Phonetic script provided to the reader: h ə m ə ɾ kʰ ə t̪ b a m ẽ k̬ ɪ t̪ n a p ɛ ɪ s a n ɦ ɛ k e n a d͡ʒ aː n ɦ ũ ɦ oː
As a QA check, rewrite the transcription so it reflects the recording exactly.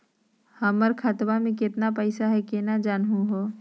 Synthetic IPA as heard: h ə m ə ɾ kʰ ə t̪ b a m ẽ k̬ ɪ t̪ n a p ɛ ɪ s a ɦ ɛ k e n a d͡ʒ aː n ɦ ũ ɦ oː